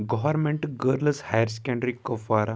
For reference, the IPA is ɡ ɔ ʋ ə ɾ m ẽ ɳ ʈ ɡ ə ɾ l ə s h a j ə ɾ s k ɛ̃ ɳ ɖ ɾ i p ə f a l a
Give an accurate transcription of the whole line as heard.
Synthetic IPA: ɡ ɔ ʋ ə ɾ m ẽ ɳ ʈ ɡ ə ɾ l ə s h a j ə ɾ s k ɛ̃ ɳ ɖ ɾ i k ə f a ɾ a